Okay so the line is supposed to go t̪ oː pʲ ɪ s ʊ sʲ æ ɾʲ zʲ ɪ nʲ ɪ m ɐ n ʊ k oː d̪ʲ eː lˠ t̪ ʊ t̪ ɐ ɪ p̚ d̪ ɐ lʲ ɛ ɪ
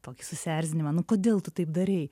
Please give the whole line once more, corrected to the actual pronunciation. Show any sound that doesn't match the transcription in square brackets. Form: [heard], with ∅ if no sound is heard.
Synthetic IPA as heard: t̪ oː [kʲ] ɪ s ʊ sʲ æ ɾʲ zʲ ɪ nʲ ɪ m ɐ n ʊ k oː d̪ʲ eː lˠ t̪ ʊ t̪ ɐ ɪ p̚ d̪ ɐ [ɾʲ] ɛ ɪ